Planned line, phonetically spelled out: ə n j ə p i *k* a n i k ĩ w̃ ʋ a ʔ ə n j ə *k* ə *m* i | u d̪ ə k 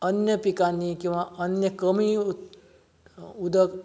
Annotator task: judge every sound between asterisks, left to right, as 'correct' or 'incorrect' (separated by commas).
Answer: correct, correct, correct